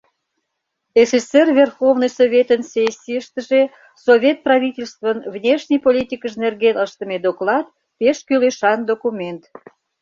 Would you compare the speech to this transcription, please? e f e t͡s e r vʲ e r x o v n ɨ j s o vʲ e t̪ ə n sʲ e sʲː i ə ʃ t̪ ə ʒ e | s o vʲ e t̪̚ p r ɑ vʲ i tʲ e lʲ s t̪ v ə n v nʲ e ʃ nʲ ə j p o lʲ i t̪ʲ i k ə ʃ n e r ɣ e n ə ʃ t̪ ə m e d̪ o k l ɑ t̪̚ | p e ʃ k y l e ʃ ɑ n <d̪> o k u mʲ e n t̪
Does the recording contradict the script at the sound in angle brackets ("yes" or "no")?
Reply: no